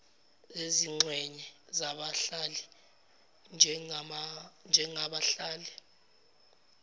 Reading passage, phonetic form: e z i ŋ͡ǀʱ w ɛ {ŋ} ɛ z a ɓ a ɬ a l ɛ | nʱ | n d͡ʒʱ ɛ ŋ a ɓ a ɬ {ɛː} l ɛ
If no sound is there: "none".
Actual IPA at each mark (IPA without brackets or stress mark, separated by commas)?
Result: ɲ, aː